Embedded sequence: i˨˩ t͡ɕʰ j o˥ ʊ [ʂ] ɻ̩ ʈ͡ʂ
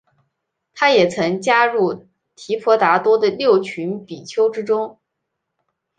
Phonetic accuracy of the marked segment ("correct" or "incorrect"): incorrect